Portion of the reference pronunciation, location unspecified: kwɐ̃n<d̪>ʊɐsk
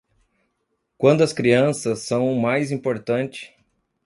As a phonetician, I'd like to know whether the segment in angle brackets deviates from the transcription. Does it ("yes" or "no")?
no